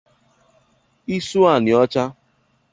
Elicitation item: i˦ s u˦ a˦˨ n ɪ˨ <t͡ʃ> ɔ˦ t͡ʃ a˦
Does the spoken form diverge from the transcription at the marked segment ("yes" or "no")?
yes